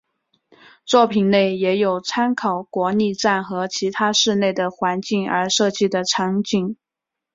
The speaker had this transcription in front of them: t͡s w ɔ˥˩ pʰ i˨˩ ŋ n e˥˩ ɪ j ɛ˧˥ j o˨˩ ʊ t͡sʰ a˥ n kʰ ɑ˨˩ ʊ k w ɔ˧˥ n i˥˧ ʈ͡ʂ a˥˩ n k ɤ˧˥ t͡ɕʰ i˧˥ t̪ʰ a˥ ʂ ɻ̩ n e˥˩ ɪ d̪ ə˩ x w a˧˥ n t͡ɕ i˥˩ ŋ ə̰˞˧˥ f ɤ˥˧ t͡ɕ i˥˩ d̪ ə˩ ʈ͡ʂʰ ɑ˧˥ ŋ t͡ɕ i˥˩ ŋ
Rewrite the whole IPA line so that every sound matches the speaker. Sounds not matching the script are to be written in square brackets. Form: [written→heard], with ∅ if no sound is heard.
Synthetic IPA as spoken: t͡s w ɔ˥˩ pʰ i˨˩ [ŋ→n] n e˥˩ ɪ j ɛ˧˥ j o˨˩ ʊ t͡sʰ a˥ n kʰ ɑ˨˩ ʊ k w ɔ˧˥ n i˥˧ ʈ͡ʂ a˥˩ n [k→x] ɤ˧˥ t͡ɕʰ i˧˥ t̪ʰ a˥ ʂ ɻ̩ n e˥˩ ɪ d̪ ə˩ x w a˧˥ n t͡ɕ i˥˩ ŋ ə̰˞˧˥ [f→ʂ] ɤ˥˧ t͡ɕ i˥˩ d̪ ə˩ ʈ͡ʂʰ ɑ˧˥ ŋ t͡ɕ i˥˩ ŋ